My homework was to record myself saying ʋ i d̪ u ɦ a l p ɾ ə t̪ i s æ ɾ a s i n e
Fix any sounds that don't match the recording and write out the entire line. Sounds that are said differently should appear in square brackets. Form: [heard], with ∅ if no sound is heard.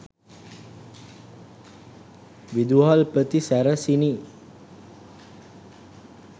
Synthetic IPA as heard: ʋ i d̪ u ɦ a l p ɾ ə t̪ i s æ ɾ [ə] s i n [i]